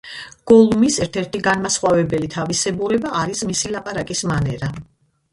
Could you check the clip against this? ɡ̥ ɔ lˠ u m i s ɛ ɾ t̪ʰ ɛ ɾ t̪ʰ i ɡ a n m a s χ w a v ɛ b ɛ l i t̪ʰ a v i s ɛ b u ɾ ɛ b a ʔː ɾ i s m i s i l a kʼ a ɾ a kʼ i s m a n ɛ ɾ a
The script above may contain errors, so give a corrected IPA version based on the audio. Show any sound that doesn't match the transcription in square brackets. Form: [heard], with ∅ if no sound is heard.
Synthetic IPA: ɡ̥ ɔ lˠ u m i s ɛ ɾ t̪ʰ ɛ ɾ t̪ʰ i ɡ a n m a s χ w a v ɛ b ɛ l i t̪ʰ a v i s ɛ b u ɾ ɛ b a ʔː ɾ i s m i s i l a [pʼ] a ɾ a kʼ i s m a n ɛ ɾ a